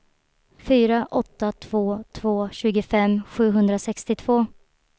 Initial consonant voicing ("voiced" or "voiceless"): voiceless